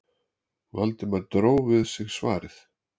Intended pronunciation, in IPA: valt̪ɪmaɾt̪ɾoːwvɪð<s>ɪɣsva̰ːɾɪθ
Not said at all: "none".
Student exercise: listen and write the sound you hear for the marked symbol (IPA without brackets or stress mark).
s